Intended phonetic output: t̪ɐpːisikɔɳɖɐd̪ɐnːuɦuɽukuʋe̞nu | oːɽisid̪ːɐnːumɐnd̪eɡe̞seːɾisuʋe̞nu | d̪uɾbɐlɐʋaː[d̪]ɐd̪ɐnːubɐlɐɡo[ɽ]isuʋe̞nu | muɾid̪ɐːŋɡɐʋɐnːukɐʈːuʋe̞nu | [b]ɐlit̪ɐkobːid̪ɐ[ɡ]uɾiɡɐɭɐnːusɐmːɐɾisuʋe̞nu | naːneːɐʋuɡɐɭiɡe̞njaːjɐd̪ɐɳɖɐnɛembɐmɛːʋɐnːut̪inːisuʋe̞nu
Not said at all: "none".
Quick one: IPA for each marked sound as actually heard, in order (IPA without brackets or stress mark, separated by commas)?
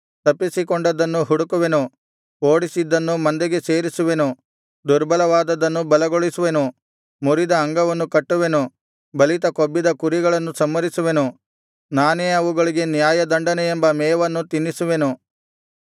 d̪, ɭ, b, k